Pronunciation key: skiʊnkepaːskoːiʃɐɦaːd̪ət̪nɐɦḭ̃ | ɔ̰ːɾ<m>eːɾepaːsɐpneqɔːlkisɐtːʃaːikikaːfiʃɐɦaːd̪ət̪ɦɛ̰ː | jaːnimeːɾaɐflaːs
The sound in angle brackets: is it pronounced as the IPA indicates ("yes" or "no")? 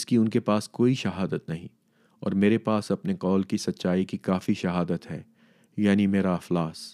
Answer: yes